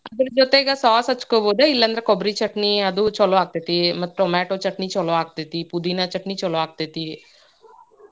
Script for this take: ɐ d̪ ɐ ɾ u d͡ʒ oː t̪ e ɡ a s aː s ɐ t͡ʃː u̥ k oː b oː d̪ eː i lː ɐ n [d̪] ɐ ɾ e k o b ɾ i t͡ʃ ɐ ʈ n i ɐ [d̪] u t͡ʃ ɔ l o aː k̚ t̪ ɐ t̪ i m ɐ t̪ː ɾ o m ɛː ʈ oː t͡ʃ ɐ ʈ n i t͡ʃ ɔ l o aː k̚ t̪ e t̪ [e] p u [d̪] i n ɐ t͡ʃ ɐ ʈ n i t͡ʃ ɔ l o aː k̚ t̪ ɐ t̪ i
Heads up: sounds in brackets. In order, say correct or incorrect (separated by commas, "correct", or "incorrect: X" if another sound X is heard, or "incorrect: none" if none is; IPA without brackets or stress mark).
correct, correct, incorrect: i, correct